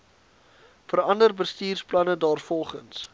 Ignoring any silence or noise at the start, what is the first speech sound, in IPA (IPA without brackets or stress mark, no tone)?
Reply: f